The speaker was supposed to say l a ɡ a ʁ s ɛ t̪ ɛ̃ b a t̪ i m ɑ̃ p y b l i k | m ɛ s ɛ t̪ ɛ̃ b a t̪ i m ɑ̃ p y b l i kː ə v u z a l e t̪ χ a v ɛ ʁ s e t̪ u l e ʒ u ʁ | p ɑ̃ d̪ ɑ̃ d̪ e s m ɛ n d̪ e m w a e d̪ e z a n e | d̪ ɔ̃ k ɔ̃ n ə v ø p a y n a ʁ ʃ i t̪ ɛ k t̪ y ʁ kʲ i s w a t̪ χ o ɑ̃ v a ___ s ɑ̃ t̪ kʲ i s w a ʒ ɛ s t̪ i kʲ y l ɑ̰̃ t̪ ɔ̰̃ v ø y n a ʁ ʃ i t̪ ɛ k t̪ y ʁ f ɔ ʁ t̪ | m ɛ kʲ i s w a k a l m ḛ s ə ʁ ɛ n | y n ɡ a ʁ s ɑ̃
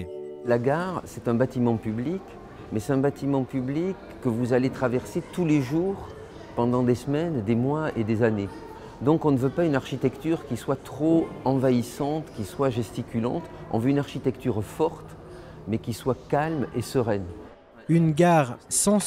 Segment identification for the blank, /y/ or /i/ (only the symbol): i